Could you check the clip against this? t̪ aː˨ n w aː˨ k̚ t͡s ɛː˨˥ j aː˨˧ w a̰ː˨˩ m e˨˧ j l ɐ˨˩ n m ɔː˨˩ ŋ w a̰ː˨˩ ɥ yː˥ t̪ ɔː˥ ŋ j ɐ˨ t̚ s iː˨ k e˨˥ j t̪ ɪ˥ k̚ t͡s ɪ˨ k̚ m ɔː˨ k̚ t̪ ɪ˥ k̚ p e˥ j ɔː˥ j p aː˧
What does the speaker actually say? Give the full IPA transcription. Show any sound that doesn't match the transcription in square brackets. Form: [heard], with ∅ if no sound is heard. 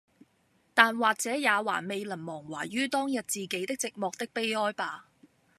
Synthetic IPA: t̪ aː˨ n w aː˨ k̚ t͡s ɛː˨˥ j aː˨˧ w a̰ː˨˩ m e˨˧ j l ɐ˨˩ n m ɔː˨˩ ŋ w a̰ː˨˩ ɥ yː˥ t̪ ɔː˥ ŋ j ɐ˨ t̚ [t͡s] iː˨ k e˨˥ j t̪ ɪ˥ k̚ t͡s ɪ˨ k̚ m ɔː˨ k̚ t̪ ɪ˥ k̚ p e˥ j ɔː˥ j p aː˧